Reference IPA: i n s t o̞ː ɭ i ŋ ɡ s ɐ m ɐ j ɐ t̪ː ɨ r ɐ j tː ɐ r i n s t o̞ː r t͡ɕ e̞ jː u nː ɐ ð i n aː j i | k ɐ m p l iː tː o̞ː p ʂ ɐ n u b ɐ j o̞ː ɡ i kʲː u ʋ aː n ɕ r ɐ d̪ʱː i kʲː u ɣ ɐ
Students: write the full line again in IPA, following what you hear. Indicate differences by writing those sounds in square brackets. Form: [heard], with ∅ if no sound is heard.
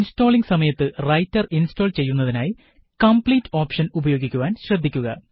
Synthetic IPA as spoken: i n s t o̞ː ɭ i ŋ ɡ s ɐ m ɐ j ɐ t̪ː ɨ r ɐ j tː ɐ r i n s t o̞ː [l] t͡ɕ e̞ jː u nː ɐ ð i n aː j i | k ɐ m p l iː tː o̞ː p ʂ ɐ n u b ɐ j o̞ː ɡ i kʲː u ʋ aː n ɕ r ɐ d̪ʱː i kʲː u ɣ ɐ